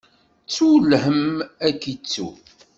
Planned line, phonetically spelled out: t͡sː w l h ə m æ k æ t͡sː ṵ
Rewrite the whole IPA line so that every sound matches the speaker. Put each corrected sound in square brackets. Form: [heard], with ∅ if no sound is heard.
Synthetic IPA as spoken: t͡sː [u] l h ə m æ k [i] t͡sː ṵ